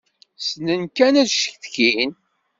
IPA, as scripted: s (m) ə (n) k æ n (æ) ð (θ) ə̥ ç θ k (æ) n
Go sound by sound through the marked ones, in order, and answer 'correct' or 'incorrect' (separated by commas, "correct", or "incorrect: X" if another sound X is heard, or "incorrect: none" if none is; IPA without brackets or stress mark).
incorrect: n, correct, correct, incorrect: ʃ, incorrect: i